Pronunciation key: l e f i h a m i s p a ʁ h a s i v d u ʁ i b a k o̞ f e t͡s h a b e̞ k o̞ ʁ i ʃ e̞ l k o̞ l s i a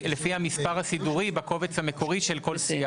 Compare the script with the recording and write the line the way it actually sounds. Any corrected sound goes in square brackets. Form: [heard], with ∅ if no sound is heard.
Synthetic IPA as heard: l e f i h a m i s p a ʁ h a s i [∅] d u ʁ i b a k o̞ [v] e t͡s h a [m] e̞ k o̞ ʁ i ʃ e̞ l k o̞ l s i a